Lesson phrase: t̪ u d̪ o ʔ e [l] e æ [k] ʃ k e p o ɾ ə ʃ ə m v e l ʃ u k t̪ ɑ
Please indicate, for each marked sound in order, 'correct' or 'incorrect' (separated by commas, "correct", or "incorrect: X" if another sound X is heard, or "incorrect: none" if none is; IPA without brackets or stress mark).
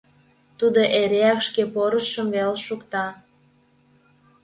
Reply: incorrect: ɾ, correct